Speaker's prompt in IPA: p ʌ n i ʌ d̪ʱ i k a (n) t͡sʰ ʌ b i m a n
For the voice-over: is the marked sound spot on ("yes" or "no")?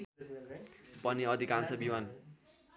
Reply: yes